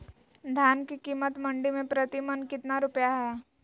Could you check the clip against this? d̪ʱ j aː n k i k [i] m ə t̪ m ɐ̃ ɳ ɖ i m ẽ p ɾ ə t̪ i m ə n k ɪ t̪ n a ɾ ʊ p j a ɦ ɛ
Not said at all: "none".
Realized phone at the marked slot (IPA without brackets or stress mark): iː